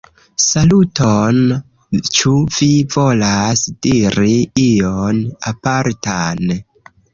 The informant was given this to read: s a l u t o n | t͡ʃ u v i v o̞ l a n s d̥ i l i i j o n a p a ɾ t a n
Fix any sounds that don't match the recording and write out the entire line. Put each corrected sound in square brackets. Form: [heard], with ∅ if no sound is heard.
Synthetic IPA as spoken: s a l u t o n | t͡ʃ u v i v o̞ l a [∅] s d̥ i [ɾ] i i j o n a p a ɾ t a n